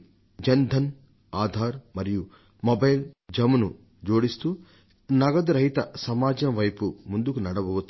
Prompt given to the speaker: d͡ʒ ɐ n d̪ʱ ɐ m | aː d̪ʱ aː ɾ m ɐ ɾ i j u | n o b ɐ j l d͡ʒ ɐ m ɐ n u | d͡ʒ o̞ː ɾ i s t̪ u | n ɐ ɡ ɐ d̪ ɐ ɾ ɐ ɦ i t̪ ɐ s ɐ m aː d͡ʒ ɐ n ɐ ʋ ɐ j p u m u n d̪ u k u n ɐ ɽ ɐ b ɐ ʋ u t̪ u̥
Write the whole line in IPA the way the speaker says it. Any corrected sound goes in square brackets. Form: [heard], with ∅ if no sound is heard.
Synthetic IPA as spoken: d͡ʒ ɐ n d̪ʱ ɐ [n] | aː d̪ʱ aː ɾ m ɐ ɾ i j u | [m] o b ɐ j l d͡ʒ ɐ m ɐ n u | d͡ʒ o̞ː [ɽ] i s t̪ u | n ɐ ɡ ɐ d̪ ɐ ɾ ɐ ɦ i t̪ ɐ s ɐ m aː d͡ʒ ɐ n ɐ ʋ ɐ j p u m u n d̪ u k u n ɐ ɽ ɐ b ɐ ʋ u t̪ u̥